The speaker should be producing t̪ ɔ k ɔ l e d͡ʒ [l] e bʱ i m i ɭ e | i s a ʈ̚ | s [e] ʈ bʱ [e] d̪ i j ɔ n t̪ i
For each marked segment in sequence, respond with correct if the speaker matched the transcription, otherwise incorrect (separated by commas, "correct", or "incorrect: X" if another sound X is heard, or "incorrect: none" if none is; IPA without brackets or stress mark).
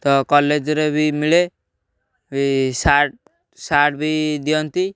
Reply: incorrect: ɾ, incorrect: a, incorrect: i